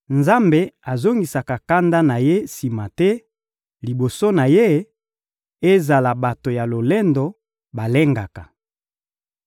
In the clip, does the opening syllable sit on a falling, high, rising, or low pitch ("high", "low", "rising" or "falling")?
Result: high